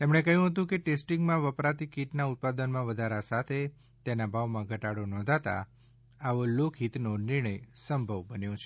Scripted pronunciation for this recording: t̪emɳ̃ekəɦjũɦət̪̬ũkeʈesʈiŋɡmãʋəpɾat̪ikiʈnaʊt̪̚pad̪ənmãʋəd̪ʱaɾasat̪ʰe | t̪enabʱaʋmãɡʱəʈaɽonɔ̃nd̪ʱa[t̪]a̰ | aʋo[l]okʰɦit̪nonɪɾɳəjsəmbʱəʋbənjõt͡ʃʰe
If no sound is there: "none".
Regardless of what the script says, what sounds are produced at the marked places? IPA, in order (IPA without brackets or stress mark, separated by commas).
t̪, l